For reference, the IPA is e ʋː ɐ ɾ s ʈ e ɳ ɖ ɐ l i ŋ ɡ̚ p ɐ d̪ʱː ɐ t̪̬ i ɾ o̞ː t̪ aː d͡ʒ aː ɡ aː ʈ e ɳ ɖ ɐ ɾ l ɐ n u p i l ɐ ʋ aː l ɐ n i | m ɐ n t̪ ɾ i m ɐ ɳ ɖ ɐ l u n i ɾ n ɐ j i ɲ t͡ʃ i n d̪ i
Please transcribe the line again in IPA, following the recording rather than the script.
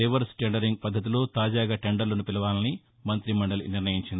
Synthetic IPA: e ʋ ɐ ɾ s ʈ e ɳ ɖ ɐ ɾ i ŋ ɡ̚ p ɐ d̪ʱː ɐ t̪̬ i l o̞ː t̪ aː d͡ʒ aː ɡ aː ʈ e ɳ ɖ ɐ ɾ l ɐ n u p i l ɐ ʋ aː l ɐ n i | m ɐ n t̪ ɾ i m ɐ ɳ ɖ ɐ l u n i ɾ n ɐ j i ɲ t͡ʃ i n d̪ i